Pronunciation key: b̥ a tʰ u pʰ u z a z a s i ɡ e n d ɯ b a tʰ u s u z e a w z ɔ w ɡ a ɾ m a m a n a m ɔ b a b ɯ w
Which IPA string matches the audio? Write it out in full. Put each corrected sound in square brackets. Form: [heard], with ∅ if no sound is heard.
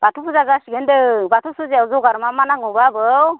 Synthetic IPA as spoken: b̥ a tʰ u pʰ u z a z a s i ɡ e n d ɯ b a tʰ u s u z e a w z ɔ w ɡ a ɾ m a m a n a [ŋ] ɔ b a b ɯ w